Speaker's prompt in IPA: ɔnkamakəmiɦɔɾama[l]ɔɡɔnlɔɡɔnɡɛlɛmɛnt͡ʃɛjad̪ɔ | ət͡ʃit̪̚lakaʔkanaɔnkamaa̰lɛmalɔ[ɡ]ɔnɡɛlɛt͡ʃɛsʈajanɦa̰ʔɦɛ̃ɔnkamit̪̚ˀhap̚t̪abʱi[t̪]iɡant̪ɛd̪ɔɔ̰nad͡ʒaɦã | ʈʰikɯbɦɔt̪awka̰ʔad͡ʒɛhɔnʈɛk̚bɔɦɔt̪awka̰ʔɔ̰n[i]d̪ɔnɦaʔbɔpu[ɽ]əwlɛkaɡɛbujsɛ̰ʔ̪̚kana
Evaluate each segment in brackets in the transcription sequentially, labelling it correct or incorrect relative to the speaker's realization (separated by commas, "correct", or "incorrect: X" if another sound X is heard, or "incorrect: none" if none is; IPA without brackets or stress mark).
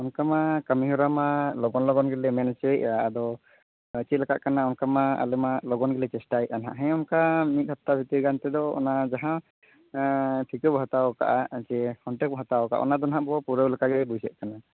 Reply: correct, correct, correct, incorrect: a, incorrect: ɾ